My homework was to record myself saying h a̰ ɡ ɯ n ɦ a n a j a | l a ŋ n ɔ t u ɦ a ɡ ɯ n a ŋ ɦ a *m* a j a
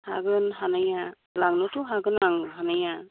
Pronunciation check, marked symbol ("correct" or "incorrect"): incorrect